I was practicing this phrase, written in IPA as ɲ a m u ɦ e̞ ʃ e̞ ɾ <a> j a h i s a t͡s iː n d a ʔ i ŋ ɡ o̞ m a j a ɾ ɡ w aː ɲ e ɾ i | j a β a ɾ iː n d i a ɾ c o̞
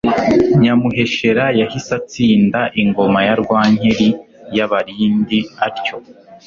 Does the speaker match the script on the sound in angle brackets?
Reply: yes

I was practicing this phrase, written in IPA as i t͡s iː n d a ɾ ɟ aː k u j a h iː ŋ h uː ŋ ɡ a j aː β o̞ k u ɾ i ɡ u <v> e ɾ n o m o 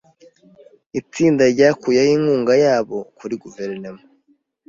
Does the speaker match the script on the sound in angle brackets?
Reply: yes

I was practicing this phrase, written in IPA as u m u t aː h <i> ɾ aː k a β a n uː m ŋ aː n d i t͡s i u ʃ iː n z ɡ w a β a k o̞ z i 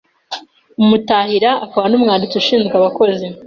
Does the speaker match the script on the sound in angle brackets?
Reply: yes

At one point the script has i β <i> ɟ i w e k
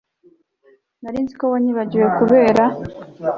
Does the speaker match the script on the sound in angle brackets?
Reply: no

